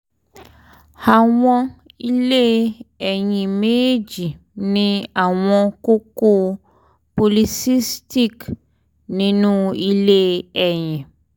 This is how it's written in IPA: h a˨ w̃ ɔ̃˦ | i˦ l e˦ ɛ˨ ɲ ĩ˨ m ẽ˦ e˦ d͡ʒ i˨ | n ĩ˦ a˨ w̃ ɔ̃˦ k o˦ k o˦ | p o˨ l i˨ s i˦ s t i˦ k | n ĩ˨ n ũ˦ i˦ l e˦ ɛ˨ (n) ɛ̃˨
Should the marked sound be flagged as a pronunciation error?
yes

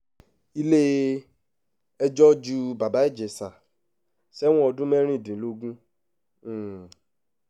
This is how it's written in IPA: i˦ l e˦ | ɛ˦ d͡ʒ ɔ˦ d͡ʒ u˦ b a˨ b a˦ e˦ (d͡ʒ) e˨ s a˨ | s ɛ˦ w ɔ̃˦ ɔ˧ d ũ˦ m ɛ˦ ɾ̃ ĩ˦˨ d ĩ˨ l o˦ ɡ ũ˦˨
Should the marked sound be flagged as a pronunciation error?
no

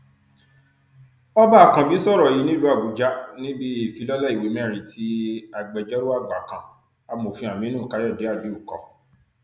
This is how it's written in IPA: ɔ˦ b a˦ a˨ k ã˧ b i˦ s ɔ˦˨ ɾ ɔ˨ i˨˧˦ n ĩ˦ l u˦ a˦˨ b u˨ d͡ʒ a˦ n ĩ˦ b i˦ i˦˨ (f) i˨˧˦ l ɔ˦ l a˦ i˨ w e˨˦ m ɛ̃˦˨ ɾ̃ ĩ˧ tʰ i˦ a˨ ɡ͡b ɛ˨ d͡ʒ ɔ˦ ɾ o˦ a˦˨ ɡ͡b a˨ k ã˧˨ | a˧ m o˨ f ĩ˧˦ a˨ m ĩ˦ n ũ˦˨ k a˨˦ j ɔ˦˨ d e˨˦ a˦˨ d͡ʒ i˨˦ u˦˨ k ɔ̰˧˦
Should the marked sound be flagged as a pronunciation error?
no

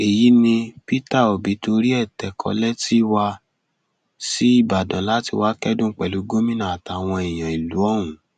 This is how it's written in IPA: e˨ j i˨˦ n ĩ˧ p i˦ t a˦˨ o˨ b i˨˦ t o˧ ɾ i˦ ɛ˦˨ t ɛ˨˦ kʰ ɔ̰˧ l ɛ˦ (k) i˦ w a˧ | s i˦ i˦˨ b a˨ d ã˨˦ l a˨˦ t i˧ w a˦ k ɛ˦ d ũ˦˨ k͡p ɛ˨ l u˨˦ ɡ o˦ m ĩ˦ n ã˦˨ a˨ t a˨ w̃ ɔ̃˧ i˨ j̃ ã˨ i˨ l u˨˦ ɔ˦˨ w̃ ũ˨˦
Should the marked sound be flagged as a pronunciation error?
yes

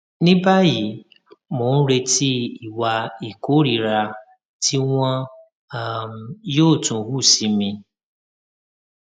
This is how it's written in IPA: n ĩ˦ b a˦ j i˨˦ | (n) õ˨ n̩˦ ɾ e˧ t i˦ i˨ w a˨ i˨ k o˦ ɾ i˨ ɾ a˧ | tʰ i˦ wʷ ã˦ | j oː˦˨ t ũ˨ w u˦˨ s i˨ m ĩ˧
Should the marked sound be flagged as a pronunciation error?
yes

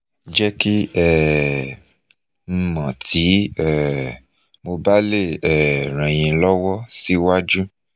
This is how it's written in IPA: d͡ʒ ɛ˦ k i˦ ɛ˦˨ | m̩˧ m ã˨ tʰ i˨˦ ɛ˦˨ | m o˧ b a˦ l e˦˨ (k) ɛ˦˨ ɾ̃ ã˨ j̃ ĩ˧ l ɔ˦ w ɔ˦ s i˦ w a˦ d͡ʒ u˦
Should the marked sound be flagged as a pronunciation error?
yes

